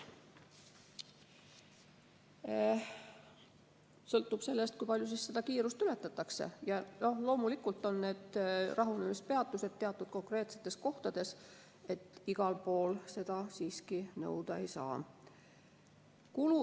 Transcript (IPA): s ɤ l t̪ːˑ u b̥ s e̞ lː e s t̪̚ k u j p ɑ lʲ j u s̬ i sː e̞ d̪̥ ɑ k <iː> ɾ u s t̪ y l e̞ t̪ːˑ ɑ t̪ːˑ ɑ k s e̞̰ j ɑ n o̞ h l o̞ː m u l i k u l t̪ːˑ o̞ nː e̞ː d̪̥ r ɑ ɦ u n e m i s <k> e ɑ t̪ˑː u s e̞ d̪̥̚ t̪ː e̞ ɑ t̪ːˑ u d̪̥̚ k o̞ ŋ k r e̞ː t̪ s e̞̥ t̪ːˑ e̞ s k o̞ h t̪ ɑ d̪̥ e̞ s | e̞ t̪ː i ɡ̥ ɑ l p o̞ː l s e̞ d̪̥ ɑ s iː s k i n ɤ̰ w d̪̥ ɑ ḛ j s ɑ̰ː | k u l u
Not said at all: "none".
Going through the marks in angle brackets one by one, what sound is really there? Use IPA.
iː, p

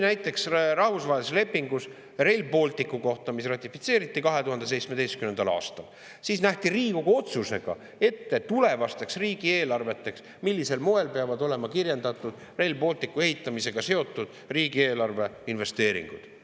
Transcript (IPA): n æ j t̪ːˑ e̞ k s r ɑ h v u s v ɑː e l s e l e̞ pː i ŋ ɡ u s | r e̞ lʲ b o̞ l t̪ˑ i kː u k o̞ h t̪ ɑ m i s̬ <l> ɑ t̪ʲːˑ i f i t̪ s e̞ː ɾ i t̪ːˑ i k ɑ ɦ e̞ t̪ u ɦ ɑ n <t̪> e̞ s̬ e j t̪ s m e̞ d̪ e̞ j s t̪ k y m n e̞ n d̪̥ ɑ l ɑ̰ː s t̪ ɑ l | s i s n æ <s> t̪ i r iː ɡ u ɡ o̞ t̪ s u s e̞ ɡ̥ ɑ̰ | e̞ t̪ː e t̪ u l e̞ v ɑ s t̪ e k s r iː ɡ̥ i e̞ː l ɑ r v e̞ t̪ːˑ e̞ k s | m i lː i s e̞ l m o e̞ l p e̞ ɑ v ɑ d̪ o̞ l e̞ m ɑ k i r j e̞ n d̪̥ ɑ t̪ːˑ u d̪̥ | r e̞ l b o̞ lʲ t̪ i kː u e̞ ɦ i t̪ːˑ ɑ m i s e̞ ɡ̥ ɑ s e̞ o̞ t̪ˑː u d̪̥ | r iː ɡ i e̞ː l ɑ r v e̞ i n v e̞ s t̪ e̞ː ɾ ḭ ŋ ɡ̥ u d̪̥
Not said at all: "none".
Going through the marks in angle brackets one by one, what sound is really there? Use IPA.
r, d̪, h

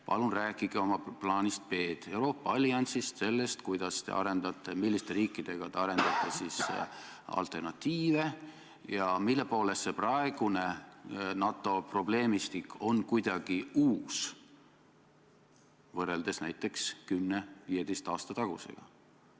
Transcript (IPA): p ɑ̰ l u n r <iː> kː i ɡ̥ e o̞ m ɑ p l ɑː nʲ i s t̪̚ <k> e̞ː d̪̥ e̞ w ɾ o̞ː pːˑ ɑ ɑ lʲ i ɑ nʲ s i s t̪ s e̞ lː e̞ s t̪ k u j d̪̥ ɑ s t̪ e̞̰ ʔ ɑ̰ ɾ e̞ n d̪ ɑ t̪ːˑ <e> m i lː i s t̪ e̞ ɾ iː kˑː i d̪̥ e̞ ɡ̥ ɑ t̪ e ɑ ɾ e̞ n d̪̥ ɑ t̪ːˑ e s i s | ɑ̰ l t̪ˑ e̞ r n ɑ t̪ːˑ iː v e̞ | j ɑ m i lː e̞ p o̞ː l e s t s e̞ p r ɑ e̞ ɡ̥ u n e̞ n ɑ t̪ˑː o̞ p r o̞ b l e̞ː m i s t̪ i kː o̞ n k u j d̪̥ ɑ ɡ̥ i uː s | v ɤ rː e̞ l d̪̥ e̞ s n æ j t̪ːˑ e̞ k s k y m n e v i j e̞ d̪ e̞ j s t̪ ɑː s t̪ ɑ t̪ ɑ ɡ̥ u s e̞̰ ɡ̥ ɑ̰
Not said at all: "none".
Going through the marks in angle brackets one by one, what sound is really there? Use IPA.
æː, p, e

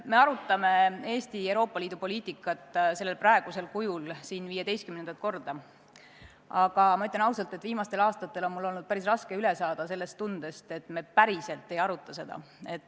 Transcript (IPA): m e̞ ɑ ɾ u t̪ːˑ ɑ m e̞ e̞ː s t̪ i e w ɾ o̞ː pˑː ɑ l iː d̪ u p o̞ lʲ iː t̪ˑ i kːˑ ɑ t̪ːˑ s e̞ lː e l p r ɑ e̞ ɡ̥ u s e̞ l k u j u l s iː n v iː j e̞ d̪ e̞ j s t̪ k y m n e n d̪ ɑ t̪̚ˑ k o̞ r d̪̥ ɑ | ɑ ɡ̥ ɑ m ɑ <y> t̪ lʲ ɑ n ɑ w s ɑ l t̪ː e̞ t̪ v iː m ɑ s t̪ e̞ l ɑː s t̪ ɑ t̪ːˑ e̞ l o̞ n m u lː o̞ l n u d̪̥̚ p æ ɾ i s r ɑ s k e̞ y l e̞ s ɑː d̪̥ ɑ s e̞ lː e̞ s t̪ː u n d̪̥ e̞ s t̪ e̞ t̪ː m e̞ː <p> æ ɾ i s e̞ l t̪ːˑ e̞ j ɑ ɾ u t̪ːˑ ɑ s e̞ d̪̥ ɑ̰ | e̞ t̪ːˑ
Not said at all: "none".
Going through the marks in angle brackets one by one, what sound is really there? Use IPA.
y, p

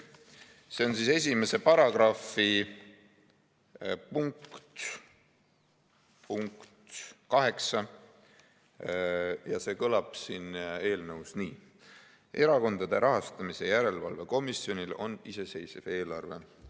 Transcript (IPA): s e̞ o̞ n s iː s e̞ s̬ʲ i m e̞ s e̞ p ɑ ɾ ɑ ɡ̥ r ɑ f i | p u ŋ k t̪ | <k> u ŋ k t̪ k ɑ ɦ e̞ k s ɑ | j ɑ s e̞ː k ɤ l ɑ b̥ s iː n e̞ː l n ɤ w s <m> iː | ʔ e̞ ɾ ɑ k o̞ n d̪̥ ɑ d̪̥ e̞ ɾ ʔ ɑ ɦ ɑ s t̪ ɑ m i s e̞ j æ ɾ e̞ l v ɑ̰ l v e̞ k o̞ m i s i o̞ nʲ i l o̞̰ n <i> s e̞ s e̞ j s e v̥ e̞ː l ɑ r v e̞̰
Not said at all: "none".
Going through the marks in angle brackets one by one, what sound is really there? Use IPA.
p, n, i

